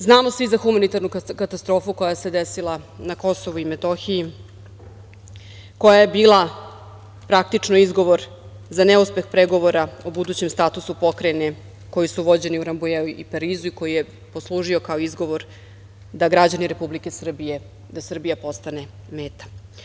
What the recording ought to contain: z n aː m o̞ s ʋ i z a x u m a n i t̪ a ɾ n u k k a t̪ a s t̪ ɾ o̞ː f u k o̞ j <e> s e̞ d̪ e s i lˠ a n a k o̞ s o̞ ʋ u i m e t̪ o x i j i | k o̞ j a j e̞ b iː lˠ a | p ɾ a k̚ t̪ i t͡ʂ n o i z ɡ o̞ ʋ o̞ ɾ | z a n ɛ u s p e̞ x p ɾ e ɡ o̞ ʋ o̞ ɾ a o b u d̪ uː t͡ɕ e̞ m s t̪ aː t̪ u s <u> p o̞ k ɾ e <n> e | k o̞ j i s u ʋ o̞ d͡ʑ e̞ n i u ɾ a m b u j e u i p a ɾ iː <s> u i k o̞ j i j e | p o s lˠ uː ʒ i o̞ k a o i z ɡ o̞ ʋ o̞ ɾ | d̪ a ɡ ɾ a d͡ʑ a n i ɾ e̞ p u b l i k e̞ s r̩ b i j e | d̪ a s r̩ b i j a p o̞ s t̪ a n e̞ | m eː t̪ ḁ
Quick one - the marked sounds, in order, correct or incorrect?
incorrect: a, correct, correct, incorrect: z

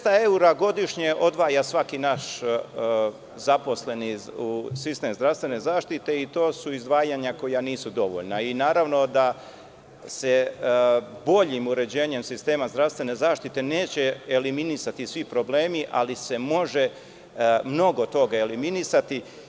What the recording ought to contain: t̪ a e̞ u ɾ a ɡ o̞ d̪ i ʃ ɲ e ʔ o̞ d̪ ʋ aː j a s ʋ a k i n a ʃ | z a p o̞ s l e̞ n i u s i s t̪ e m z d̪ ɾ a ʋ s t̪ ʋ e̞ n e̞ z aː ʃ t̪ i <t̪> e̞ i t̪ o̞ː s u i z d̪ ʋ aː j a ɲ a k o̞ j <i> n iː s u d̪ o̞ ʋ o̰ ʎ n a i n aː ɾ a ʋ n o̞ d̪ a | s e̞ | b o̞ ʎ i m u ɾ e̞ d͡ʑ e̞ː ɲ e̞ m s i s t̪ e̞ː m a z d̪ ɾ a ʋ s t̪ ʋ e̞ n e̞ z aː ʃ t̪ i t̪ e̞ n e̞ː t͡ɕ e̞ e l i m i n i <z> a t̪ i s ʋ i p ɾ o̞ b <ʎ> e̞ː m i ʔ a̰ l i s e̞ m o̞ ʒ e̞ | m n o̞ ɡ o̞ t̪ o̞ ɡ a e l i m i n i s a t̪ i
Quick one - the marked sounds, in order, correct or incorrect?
correct, incorrect: a, incorrect: s, incorrect: l

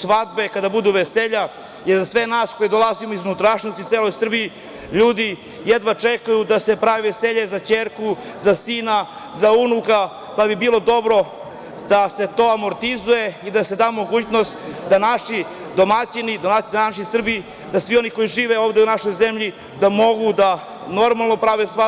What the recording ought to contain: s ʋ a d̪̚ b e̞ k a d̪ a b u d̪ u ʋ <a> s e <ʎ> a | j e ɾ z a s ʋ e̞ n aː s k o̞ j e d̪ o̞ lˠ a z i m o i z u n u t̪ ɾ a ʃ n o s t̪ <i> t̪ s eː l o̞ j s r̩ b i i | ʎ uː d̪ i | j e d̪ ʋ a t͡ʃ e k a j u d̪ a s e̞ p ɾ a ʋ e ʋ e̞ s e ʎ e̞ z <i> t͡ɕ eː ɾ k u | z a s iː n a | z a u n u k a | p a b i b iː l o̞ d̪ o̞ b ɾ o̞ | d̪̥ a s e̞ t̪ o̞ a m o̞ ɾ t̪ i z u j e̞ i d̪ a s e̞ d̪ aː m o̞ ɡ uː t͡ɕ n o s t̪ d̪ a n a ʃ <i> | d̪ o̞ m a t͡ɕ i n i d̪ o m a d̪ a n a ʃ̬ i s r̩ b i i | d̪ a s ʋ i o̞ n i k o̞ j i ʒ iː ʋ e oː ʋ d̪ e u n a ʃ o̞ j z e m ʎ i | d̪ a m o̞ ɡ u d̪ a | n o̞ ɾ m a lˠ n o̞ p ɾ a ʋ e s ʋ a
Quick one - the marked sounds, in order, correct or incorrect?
incorrect: e, correct, correct, incorrect: a, correct

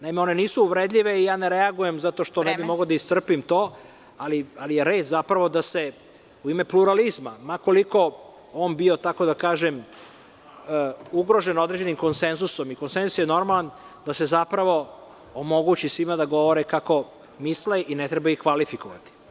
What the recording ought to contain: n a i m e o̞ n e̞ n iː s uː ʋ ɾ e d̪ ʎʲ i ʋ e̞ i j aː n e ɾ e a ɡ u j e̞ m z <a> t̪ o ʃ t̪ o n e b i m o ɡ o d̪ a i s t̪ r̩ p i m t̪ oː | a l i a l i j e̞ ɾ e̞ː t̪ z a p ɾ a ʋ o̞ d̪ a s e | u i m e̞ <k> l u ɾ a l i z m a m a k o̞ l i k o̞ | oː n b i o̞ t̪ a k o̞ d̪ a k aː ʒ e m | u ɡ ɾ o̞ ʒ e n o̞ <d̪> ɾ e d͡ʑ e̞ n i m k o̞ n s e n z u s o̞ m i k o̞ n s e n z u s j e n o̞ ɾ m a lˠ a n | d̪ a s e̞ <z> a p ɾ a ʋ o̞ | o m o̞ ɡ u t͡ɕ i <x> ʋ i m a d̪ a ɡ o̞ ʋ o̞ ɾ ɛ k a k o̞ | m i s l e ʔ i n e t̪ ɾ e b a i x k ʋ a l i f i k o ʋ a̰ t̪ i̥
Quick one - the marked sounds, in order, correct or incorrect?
correct, incorrect: p, correct, correct, incorrect: s

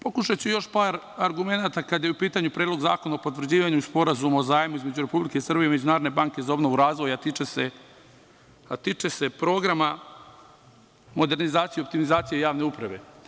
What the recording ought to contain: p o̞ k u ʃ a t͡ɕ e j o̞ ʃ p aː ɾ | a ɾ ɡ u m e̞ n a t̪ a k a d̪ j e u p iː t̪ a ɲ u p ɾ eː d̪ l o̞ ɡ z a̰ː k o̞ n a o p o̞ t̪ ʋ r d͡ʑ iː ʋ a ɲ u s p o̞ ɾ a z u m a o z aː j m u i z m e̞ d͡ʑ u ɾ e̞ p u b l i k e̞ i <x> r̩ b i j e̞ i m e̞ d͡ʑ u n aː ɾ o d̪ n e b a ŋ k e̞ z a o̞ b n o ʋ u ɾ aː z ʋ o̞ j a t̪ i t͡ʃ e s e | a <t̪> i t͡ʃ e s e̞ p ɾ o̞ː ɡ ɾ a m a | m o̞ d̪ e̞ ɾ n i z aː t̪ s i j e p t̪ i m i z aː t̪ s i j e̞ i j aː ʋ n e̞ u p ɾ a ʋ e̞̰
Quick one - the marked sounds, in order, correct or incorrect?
incorrect: s, correct

